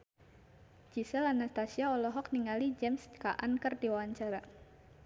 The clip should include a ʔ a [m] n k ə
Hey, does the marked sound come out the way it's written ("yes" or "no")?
no